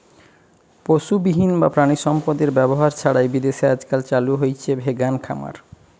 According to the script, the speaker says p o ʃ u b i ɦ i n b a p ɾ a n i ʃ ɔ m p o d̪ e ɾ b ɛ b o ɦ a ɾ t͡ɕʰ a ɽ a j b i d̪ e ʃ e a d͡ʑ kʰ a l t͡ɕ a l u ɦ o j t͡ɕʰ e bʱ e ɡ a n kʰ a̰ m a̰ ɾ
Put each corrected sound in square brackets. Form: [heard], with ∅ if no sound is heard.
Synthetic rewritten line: p o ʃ u b i ɦ i n b a p ɾ a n i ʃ ɔ m p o d̪ e ɾ b ɛ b o ɦ a ɾ t͡ɕʰ a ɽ a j b i d̪ e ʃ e a d͡ʑ [k] a l t͡ɕ a l u ɦ o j t͡ɕʰ e bʱ e ɡ a n kʰ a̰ m a̰ ɾ

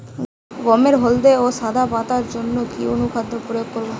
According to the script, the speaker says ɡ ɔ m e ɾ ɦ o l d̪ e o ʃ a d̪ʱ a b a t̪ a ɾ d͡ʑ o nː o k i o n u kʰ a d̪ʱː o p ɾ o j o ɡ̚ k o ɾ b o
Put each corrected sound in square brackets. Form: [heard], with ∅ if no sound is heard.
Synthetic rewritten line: ɡ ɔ m e ɾ ɦ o l d̪ e o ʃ a d̪ʱ a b a t̪ a ɾ d͡ʑ o nː o k i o n u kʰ a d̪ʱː o p ɾ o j o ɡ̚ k o ɾ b o

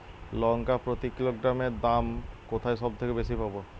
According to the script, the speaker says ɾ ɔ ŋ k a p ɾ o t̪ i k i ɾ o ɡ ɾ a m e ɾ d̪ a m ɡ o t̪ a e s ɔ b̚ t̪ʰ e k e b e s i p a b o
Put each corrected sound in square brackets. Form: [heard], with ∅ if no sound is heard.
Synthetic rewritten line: [l] ɔ ŋ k a p ɾ o t̪ i k i [l] o ɡ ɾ a m e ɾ d̪ a m [k] o [t̪ʰ] a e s ɔ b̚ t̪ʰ e k e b e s i p a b o

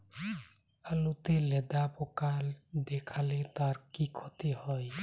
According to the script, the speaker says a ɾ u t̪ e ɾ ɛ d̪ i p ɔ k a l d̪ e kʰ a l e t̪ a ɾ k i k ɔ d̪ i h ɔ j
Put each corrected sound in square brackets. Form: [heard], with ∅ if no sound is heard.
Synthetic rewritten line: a [l] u t̪ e [l] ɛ d̪ [a] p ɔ k a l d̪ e kʰ a l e t̪ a ɾ k i [kʰ] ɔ [t̪] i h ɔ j

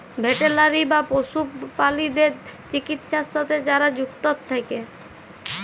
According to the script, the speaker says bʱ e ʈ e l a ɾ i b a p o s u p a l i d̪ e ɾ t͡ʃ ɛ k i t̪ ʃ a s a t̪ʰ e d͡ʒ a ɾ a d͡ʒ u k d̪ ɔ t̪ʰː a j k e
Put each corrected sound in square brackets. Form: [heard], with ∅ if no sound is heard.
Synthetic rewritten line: bʱ e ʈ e l a ɾ i b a p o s u p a l i d̪ e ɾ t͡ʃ [i] k i t̪ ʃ a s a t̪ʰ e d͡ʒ a ɾ a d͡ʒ u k [t̪] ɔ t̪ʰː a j k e

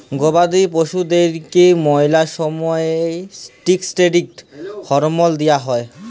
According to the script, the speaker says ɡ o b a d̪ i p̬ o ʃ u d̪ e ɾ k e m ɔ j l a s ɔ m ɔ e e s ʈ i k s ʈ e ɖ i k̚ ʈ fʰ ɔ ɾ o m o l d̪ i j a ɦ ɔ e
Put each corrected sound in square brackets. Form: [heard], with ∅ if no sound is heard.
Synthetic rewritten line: ɡ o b a d̪ i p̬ o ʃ u d̪ e ɾ k e m ɔ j l a [ʃ] ɔ m ɔ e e s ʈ i k s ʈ e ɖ i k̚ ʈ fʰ ɔ ɾ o m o l d̪ i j a ɦ ɔ e

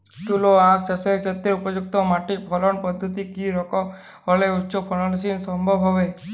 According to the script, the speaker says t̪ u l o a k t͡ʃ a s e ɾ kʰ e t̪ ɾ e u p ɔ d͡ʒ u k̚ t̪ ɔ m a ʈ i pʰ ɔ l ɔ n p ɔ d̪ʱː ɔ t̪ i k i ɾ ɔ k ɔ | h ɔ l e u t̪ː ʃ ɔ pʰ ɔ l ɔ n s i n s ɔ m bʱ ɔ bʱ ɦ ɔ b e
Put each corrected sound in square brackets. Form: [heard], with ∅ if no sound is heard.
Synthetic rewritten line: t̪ u l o a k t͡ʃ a s e ɾ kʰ e t̪ ɾ e u p ɔ d͡ʒ u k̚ t̪ ɔ m a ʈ i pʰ ɔ l ɔ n p ɔ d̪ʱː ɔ t̪ i k i ɾ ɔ k ɔ | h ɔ l e u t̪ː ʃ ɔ pʰ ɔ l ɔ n s i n s ɔ m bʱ ɔ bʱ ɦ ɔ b e

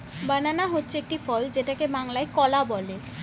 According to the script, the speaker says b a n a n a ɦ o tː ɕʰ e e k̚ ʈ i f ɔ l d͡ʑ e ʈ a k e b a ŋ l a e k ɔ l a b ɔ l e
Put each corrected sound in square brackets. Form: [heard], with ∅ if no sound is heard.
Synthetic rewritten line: b a n a n a ɦ o tː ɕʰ e e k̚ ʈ i f ɔ l d͡ʑ e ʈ a k e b a ŋ l a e k ɔ l a b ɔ l e

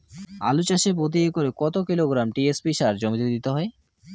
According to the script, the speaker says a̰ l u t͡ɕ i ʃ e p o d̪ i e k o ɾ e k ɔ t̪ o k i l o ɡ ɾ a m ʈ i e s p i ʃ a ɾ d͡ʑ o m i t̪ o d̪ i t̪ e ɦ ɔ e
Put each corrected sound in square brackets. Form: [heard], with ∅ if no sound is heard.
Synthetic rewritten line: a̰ l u t͡ɕ [a] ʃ e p o d̪ i e k o ɾ e k ɔ t̪ o k i l o ɡ ɾ a m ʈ i e s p i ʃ a ɾ d͡ʑ o m i t̪ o d̪ i t̪ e ɦ ɔ e

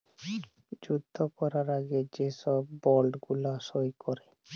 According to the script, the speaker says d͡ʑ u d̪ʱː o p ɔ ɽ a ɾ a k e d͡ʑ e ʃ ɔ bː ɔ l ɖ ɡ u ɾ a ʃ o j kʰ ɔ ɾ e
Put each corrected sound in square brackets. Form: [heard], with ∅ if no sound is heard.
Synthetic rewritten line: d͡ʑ u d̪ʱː o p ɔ [ɾ] a ɾ a [ɡ] e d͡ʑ e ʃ ɔ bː ɔ l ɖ ɡ u [l] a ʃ o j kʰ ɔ ɾ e

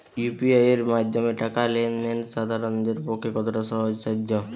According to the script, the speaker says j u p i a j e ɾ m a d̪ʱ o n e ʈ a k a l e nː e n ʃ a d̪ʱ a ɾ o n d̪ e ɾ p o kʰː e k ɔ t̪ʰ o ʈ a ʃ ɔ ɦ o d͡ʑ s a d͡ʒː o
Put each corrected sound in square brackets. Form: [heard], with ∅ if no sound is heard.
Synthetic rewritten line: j u p i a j e ɾ m a d̪ʱ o [m] e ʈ a k a l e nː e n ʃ a d̪ʱ a ɾ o n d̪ e ɾ p o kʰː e k ɔ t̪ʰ o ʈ a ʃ ɔ ɦ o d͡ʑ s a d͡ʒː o

